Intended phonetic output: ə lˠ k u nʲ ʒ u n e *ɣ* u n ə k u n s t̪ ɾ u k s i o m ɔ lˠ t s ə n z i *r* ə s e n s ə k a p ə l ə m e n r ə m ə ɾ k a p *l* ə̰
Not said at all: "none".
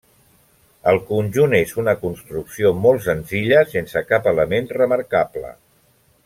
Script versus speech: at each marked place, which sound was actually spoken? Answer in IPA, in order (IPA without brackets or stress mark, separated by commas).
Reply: z, ʎ, l